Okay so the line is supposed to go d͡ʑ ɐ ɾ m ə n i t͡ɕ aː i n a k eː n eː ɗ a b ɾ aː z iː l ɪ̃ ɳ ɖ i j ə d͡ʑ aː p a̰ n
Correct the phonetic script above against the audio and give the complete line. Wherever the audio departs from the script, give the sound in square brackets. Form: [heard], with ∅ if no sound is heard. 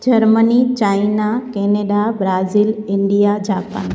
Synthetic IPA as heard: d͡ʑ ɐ ɾ m ə n i t͡ɕ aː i n a k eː n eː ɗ a b ɾ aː z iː l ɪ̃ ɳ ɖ i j [a] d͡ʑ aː p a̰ n